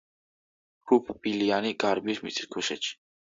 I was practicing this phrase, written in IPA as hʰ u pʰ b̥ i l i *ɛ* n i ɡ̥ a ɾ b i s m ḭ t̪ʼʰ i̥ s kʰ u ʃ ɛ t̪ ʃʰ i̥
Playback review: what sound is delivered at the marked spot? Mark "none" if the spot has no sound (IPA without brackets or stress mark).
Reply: a